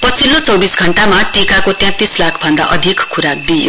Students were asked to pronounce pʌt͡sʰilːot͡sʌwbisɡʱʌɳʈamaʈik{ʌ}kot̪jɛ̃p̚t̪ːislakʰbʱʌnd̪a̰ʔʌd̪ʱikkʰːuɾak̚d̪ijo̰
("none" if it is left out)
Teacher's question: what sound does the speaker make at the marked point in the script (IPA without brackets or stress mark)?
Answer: a